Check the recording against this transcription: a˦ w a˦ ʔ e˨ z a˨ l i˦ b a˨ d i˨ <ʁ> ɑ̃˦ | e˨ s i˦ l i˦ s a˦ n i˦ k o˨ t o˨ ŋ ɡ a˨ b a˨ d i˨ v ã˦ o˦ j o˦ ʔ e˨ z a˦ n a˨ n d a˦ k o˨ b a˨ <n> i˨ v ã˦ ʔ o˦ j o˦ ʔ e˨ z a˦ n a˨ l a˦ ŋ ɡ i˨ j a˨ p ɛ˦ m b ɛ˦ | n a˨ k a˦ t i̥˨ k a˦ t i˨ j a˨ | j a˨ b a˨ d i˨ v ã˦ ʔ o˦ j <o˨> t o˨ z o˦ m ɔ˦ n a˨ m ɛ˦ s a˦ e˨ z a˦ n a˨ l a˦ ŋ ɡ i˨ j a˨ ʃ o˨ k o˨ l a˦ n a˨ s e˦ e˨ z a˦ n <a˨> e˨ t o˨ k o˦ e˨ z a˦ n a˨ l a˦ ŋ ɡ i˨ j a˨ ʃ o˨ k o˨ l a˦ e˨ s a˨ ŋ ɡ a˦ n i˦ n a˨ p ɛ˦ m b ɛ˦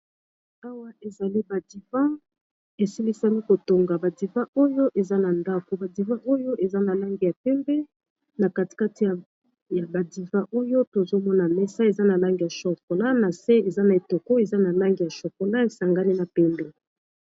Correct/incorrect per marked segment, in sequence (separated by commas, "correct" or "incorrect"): incorrect, incorrect, incorrect, correct